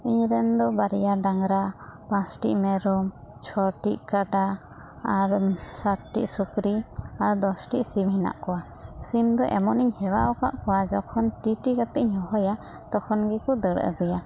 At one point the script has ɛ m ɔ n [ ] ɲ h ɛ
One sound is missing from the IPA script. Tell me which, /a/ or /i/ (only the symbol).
i